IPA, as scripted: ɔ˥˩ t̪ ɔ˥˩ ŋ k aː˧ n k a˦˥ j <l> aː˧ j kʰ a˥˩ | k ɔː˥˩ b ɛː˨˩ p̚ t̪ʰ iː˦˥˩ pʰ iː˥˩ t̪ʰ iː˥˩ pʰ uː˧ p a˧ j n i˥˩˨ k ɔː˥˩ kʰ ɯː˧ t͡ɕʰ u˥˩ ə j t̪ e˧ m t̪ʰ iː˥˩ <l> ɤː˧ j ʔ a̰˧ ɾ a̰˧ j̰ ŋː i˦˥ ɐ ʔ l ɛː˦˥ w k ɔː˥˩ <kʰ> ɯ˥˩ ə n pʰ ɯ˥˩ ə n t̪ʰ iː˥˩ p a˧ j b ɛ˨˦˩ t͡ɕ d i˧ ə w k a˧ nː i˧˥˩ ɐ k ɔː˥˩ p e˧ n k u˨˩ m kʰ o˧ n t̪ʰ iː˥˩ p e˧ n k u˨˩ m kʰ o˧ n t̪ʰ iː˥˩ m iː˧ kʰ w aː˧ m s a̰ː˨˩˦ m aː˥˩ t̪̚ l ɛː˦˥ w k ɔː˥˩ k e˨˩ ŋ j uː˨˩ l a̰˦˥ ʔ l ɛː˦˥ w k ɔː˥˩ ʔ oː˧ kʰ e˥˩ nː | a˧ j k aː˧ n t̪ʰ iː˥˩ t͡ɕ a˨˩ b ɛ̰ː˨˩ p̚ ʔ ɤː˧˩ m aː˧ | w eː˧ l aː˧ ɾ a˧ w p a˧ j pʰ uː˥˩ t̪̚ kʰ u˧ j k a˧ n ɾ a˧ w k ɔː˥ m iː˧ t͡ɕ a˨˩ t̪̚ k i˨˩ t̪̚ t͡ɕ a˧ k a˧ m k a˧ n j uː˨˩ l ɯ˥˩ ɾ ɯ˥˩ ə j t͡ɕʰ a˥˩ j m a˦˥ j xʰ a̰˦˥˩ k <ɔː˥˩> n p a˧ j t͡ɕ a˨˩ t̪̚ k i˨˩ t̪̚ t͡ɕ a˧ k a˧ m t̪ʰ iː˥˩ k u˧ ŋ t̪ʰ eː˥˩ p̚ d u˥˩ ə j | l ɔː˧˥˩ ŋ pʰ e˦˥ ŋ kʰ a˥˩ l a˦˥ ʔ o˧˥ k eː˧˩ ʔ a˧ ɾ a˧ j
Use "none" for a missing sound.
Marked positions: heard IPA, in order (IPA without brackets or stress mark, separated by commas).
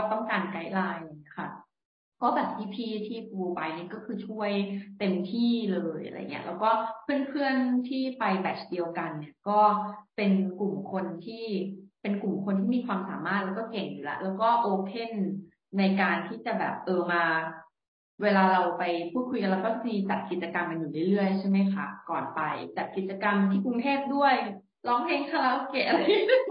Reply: l, l, pʰ, ɔː˨˩